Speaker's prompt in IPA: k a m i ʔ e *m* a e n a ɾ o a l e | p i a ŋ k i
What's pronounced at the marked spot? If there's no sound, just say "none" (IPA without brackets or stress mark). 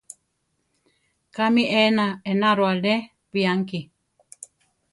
n